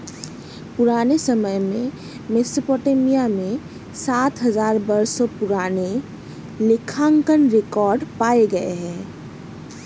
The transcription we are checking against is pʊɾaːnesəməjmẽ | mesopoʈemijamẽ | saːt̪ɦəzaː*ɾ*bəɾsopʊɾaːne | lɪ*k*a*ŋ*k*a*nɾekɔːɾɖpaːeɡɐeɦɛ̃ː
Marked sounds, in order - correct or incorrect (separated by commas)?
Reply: correct, incorrect, correct, incorrect